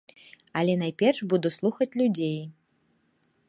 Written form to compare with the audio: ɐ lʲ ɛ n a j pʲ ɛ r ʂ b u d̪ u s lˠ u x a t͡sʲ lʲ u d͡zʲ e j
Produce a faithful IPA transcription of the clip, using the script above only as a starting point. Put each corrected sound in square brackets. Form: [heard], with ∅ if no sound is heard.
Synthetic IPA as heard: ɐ lʲ ɛ n a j pʲ ɛ r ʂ b u d̪ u s lˠ u x [ɐ] t͡sʲ lʲ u d͡zʲ e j

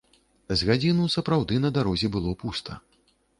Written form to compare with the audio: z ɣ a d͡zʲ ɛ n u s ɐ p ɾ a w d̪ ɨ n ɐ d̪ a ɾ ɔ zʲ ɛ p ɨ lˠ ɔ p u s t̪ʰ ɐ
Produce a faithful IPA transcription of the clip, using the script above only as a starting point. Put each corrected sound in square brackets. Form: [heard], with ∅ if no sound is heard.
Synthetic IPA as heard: z ɣ a d͡zʲ [i] n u s ɐ p ɾ a w d̪ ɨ n ɐ d̪ a ɾ ɔ zʲ ɛ [b] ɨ lˠ ɔ p u s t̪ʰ ɐ

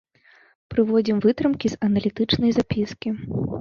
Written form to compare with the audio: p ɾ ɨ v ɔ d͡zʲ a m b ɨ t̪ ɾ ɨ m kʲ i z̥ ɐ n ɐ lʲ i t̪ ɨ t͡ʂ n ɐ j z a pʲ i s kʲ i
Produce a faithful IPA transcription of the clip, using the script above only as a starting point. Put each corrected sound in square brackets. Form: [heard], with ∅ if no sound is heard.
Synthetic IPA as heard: p ɾ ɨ v ɔ d͡zʲ [i] m [v] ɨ t̪ ɾ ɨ m kʲ i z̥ ɐ n ɐ lʲ i t̪ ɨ t͡ʂ n ɐ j z a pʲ i s kʲ i

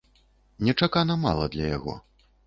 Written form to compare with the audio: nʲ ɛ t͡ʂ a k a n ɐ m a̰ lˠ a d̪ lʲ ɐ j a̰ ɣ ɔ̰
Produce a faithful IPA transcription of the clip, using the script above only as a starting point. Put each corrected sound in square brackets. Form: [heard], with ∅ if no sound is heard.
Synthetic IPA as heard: nʲ ɛ t͡ʂ a k a n ɐ m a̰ lˠ [ɐ] d̪ lʲ ɐ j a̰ ɣ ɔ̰

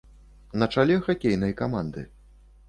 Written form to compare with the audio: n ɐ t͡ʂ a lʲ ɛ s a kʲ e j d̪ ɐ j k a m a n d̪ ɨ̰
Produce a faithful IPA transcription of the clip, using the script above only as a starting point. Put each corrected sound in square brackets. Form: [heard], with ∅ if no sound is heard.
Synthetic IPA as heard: n ɐ t͡ʂ a lʲ ɛ [x] a kʲ e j [n̪] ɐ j k a m a n d̪ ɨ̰

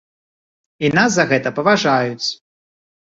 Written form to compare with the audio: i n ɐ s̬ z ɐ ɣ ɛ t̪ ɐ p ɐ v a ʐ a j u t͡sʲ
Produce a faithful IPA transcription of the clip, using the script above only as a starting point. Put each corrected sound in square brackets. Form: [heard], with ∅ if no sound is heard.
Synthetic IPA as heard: i n [a] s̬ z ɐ ɣ ɛ t̪ ɐ p ɐ v a ʐ a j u t͡sʲ

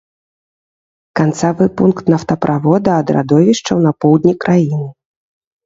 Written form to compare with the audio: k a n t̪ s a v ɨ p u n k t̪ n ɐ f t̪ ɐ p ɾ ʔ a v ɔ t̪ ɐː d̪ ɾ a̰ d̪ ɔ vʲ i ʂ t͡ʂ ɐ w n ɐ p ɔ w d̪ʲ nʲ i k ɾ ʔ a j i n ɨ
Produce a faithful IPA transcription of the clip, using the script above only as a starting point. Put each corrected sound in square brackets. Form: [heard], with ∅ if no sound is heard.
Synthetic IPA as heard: k a n t̪ s a v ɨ p u n k t̪ n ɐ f t̪ ɐ p ɾ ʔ a v ɔ [d̪] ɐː d̪ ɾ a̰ d̪ ɔ vʲ i ʂ t͡ʂ ɐ w n ɐ p ɔ w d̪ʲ nʲ i k ɾ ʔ a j i n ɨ

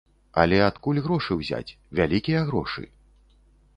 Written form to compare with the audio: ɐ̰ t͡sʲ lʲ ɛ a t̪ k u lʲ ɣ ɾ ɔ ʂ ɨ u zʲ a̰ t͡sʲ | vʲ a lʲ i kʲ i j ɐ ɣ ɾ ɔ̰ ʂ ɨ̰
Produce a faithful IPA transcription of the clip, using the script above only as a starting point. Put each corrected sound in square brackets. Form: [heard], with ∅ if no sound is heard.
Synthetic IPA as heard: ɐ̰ [∅] lʲ ɛ a t̪ k u lʲ ɣ ɾ ɔ ʂ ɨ [w] zʲ a̰ t͡sʲ | vʲ a lʲ i kʲ i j ɐ ɣ ɾ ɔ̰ ʂ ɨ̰

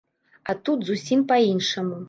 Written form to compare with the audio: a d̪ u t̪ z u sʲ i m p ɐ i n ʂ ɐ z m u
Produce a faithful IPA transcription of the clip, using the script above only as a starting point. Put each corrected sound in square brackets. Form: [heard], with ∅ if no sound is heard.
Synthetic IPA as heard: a [t̪] u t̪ z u sʲ i m p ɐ i n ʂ ɐ [∅] m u

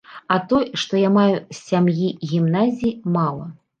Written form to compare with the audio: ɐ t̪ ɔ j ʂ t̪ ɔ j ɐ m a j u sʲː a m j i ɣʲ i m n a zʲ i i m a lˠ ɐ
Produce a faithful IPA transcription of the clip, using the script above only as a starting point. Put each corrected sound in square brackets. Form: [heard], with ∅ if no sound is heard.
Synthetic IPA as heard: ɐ t̪ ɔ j ʂ t̪ ɔ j [a] m a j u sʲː a m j i ɣʲ i m n a zʲ i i m a lˠ ɐ

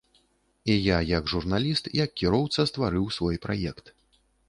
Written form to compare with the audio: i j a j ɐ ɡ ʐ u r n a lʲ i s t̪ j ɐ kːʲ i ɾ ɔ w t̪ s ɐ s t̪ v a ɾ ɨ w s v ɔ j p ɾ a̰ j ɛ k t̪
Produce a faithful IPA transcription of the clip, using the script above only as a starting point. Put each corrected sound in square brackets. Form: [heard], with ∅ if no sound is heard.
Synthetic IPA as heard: i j a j ɐ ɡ ʐ u r n a lʲ i s t̪ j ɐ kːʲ i ɾ ɔ w t̪ s ɐ s t̪ v a ɾ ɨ w s v ɔ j p ɾ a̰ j ɛ k t̪

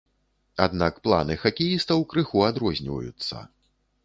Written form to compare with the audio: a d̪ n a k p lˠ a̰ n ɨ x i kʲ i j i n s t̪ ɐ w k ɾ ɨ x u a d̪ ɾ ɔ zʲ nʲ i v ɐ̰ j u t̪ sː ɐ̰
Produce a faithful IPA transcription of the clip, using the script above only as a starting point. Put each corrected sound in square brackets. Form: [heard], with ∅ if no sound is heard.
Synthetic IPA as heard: a d̪ n a k p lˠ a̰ n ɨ x [a] kʲ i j i [∅] s t̪ ɐ w k ɾ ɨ x u a d̪ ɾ ɔ zʲ nʲ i v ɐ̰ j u t̪ sː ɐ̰

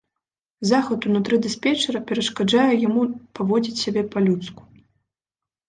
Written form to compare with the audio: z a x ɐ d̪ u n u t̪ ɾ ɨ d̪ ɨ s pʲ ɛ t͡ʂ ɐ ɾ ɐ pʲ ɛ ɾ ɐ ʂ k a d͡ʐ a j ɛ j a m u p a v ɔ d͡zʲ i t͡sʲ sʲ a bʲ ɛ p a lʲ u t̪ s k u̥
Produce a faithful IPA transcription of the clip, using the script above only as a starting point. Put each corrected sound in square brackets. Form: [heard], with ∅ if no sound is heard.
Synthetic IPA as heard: z a x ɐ [t̪] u n u t̪ ɾ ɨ d̪ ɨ s pʲ ɛ t͡ʂ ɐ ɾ ɐ pʲ ɛ ɾ ɐ ʂ k a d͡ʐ a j ɛ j a m u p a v ɔ d͡zʲ i t͡sʲ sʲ a bʲ ɛ p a lʲ u t̪ s k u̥

